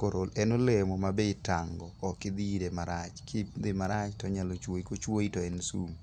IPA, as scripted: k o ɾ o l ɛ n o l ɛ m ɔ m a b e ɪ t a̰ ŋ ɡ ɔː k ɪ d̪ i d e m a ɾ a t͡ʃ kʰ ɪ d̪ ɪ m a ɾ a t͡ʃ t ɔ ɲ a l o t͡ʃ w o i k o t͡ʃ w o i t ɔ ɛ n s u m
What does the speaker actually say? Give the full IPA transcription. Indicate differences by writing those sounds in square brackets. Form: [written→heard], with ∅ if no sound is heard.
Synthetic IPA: k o ɾ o l ɛ n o l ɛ m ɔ m a b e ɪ t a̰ ŋ ɡ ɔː k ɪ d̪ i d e m a ɾ a t͡ʃ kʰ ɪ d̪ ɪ m a ɾ a t͡ʃ t ɔ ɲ a l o t͡ʃ w o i k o t͡ʃ w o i t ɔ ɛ n s u m